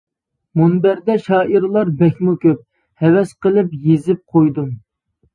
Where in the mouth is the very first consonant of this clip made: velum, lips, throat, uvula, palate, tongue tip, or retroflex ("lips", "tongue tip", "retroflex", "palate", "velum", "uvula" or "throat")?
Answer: lips